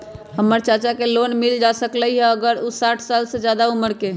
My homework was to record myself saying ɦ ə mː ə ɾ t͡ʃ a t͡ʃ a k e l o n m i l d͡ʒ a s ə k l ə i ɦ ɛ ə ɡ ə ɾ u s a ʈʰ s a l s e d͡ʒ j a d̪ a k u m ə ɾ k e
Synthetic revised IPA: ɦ ə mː ə ɾ t͡ʃ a t͡ʃ a k e l o n m i l d͡ʒ a s ə k l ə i ɦ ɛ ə ɡ ə ɾ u s a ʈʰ s a l s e d͡ʒ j a d̪ a u m ə ɾ k e